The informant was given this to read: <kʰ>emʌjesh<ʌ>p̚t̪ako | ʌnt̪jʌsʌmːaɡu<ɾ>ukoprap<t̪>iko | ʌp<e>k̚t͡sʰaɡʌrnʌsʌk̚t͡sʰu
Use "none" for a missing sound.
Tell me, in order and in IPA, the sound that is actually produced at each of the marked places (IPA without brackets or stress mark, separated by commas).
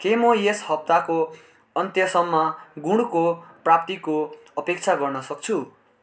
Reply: k, ʌ, ɽ, t̪, e